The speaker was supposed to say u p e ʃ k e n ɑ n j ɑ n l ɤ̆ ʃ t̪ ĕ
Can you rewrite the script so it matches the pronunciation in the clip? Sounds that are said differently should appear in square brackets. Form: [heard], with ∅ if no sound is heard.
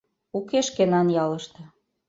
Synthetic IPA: u [k] e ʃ k e n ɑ n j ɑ [∅] l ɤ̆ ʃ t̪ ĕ